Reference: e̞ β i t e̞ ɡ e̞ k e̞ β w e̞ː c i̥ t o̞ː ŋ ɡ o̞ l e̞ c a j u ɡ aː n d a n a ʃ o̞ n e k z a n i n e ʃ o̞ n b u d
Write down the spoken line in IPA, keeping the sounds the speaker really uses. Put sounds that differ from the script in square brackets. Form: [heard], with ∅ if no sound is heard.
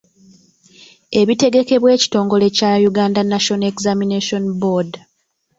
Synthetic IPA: e̞ β i t e̞ ɡ e̞ k e̞ β w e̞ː c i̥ t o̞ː ŋ ɡ o̞ l e̞ c a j u ɡ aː n d a n a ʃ o̞ n e k z a [m] i n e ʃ o̞ n b [o] d

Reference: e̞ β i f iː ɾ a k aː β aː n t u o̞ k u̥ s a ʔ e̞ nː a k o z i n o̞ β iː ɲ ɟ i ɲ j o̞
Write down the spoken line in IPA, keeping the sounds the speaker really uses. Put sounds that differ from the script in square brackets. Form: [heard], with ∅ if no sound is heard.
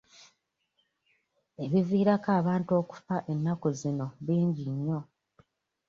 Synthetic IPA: e̞ β i [v] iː ɾ a k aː β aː n t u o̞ k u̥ [f] a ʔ e̞ nː a k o z i n o̞ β iː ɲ ɟ i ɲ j o̞

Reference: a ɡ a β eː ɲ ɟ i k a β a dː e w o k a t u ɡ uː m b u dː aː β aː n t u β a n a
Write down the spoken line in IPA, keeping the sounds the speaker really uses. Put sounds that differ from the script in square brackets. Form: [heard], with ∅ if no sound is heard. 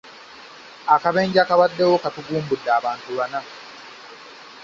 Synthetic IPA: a [k] a β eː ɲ ɟ [a] k a β a dː e w o k a t u ɡ uː m b u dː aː β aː n t u β a n a

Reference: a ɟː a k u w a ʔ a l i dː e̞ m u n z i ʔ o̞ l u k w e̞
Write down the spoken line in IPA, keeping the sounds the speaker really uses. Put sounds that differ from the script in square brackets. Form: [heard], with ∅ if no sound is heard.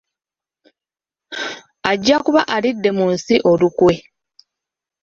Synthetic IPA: a ɟː a k u [β] a ʔ a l i dː e̞ m u n [s] i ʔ o̞ l u k w e̞

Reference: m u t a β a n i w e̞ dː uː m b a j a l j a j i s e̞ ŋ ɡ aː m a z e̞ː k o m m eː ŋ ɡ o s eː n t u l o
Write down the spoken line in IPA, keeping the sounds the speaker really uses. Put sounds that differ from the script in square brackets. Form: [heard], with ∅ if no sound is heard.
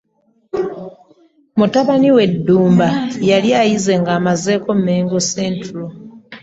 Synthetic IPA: m u t a β a n i w e̞ dː uː m b a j a l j a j i [z] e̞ ŋ ɡ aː m a z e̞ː k o m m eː ŋ ɡ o s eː n t u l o

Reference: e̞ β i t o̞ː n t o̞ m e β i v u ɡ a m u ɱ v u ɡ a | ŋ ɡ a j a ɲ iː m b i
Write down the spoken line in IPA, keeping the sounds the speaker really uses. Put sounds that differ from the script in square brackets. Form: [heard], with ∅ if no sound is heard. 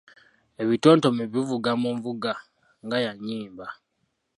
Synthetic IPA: e̞ β i t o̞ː n t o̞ m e β i v u ɡ a m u ɱ v u ɡ a | ŋ ɡ a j a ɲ iː m b [a]

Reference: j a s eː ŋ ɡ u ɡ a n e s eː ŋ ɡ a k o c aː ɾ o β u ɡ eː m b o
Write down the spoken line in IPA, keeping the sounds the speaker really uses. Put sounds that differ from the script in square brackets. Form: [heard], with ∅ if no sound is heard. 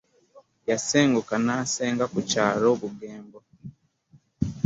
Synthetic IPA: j a s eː ŋ ɡ u [k] a n [a] s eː ŋ ɡ a k [u] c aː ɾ o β u ɡ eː m b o

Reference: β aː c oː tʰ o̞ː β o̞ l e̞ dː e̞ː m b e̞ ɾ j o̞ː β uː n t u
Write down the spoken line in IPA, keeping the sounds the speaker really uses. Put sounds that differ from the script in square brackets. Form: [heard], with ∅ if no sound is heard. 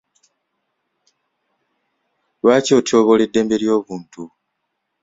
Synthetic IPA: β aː c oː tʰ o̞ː β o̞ l e̞ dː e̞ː m b e̞ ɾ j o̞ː β uː n t u

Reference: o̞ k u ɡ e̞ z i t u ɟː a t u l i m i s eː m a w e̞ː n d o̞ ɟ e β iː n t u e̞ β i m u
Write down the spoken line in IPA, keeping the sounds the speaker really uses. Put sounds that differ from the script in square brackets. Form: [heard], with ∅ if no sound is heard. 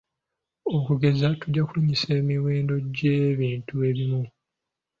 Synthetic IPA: o̞ k u ɡ e̞ z [a] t u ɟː a [k] u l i [ɲ] i s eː m [i] w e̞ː n d o̞ ɟ e β iː n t u e̞ β i m u

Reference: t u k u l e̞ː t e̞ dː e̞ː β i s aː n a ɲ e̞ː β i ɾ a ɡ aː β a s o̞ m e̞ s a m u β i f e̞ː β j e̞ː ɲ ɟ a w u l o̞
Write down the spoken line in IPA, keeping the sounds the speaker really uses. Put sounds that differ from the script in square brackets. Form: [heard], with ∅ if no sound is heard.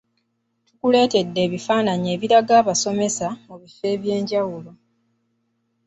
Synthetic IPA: t u k u l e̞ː t e̞ dː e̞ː β i [f] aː n a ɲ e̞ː β i ɾ a ɡ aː β a s o̞ m e̞ s a m u β i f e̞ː β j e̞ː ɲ ɟ a w u l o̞

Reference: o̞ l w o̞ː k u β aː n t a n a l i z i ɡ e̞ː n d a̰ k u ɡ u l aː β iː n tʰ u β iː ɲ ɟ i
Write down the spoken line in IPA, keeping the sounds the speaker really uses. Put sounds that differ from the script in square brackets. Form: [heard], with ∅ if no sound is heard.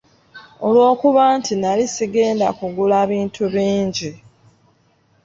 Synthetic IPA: o̞ l w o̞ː k u β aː n t [i] n a l i [s] i ɡ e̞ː n d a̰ k u ɡ u l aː β iː n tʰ u β iː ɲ ɟ i

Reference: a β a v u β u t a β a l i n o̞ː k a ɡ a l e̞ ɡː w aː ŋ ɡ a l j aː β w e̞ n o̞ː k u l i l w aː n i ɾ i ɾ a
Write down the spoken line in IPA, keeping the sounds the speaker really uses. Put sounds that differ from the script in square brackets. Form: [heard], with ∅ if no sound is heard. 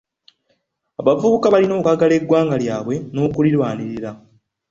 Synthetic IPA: a β a v u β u [k] a β a l i n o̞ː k a ɡ a l e̞ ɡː w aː ŋ ɡ a l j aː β w e̞ n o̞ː k u l i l w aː n i ɾ i ɾ a

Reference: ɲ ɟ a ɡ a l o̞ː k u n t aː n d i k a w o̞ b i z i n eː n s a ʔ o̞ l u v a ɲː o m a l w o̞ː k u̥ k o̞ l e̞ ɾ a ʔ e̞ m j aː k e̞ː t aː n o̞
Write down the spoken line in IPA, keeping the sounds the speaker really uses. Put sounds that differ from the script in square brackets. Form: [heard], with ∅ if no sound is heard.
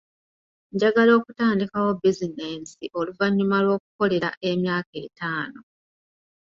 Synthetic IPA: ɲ ɟ a ɡ a l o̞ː k u [∅] t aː n d i k a w o̞ b i z i n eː n s [i] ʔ o̞ l u v a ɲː [u] m a l w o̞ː k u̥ k o̞ l e̞ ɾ a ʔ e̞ m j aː k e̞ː t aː n o̞

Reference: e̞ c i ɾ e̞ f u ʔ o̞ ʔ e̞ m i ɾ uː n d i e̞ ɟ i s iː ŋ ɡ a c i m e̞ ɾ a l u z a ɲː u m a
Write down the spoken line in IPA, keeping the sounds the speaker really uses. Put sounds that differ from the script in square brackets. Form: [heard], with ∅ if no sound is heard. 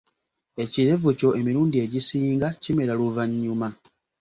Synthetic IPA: e̞ c i ɾ e̞ [v] u [c] o̞ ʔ e̞ m i ɾ uː n d i e̞ ɟ i s iː ŋ ɡ a c i m e̞ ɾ a l u [v] a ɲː u m a

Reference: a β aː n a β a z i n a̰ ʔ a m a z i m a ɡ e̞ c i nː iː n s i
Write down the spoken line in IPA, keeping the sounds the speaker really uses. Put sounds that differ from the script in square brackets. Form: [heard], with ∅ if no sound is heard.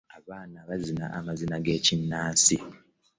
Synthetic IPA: a β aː n a β a z i n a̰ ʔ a m a z i [n] a ɡ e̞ c i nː [aː] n s i

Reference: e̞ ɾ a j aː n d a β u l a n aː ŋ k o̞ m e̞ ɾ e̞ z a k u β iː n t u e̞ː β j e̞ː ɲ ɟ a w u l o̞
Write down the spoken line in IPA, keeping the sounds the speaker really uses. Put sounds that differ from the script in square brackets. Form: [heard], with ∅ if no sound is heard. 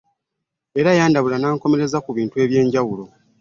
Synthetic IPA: e̞ ɾ a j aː n d a β u l a n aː ŋ k o̞ m e̞ ɾ e̞ z a k u β iː n t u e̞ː β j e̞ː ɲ ɟ a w u l o̞

